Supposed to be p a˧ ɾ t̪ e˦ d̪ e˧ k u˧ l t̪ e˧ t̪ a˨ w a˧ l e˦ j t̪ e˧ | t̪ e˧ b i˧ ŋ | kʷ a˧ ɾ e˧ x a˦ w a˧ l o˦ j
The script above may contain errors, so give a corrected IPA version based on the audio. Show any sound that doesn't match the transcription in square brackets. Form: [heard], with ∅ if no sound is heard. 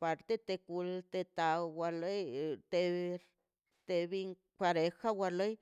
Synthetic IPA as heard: p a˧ ɾ t̪ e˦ [t̪] e˧ k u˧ l t̪ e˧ t̪ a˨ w a˧ l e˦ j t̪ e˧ | t̪ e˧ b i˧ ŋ | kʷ a˧ ɾ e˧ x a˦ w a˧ l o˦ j